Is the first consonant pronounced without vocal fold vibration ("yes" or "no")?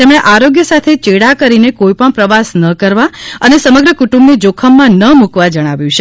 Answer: yes